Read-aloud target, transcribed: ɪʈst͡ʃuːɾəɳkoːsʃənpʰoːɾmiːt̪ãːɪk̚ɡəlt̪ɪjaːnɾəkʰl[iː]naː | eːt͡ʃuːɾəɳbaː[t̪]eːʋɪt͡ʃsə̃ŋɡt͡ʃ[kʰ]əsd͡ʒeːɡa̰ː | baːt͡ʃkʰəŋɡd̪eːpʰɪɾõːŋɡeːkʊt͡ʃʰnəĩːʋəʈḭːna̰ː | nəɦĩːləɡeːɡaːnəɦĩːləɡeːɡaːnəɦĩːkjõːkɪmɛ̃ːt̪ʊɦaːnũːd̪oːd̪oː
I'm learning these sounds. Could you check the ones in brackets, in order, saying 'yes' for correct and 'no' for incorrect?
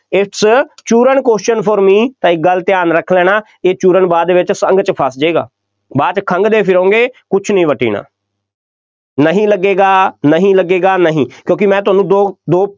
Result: no, no, no

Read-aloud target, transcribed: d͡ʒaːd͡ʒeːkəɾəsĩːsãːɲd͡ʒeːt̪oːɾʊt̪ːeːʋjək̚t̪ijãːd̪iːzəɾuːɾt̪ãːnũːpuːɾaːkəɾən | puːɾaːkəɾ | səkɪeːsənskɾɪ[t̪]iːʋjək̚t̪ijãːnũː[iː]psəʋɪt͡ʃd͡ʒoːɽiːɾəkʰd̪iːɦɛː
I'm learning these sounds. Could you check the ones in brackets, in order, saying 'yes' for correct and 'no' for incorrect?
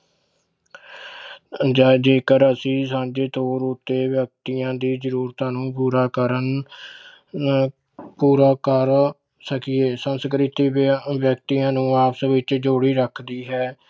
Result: yes, no

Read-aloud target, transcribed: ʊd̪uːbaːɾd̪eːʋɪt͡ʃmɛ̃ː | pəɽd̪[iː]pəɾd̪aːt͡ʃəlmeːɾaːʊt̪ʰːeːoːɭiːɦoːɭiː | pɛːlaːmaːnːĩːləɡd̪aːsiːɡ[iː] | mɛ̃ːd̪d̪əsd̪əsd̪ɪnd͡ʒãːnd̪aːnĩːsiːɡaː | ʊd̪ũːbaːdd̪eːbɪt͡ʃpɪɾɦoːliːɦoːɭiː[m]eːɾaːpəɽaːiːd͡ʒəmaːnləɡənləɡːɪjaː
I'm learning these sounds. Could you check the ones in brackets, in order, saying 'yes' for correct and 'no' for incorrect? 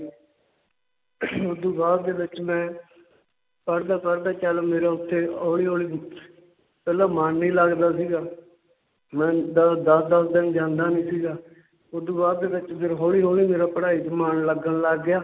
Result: no, no, yes

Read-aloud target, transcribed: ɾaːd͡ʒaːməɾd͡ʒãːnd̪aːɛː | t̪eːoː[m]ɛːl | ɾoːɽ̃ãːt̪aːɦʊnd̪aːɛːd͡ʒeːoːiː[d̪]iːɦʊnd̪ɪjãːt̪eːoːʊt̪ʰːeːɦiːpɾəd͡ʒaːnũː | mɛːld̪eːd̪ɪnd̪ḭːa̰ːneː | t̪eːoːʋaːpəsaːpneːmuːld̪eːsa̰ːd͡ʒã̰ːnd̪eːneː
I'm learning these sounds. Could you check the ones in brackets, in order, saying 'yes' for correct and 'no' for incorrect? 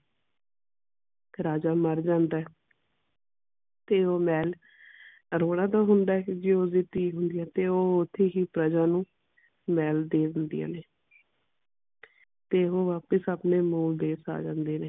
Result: yes, no

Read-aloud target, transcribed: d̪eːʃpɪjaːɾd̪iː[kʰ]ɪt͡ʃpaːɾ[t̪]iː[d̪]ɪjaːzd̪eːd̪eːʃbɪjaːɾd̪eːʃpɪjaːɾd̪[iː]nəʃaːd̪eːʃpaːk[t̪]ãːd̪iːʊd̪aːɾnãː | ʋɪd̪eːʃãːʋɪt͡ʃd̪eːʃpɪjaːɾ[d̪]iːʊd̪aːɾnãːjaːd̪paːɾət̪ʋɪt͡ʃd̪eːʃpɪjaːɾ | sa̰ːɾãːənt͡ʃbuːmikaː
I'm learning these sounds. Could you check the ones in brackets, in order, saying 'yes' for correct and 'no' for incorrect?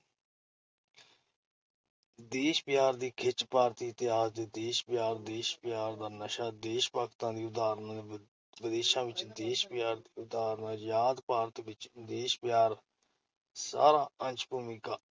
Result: yes, yes, no, no, yes, yes

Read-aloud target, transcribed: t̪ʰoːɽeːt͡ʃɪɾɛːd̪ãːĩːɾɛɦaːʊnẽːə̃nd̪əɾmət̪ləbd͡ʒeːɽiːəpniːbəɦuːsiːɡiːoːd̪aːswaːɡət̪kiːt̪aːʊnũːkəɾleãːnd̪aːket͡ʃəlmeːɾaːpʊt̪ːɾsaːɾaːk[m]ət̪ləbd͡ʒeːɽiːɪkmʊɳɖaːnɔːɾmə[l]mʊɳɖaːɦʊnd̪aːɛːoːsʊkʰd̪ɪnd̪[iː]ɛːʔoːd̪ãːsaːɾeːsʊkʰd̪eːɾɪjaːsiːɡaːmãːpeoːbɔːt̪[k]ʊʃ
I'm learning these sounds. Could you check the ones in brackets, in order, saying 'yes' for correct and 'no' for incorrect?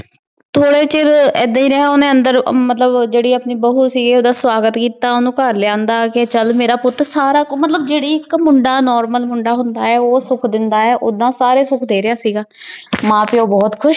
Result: yes, yes, no, no

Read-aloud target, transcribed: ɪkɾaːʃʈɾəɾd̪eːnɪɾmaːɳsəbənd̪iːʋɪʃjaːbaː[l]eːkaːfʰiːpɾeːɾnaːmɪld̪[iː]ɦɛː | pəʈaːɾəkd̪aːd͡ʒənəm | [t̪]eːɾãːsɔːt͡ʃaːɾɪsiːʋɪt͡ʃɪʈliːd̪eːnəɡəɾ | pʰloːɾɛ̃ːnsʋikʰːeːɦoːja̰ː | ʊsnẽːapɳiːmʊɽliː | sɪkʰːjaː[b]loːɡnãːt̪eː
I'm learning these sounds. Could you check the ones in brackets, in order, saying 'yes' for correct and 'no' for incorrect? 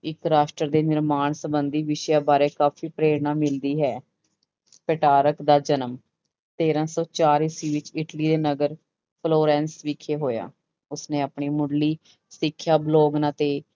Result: no, yes, yes, yes

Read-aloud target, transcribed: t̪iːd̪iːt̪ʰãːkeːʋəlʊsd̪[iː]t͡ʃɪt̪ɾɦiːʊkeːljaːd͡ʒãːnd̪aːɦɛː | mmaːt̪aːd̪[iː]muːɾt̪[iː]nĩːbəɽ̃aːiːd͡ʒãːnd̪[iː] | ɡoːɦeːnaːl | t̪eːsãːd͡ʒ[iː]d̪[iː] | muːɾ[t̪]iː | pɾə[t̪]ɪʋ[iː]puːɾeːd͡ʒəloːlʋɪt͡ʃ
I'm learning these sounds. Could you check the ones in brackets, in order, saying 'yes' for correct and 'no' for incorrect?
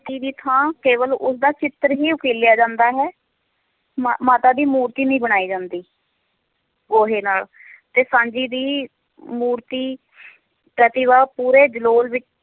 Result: no, yes, yes, yes, yes, yes, yes, yes, no

